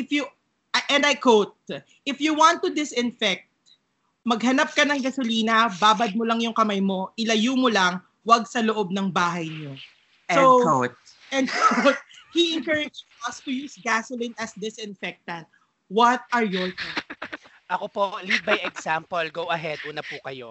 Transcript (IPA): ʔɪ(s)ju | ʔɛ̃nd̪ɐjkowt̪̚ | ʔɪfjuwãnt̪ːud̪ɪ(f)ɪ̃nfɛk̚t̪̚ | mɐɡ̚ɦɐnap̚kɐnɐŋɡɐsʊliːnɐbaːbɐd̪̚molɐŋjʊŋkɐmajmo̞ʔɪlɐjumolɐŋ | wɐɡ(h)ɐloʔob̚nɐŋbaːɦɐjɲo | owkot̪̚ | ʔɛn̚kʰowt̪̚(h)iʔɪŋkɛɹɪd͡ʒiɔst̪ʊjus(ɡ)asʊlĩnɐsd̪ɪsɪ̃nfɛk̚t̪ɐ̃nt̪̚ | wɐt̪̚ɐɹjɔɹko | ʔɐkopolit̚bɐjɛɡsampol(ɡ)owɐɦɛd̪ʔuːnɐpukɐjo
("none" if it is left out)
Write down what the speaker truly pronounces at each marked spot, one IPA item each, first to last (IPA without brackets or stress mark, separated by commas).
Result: f, s, s, h, ɡ, ɡ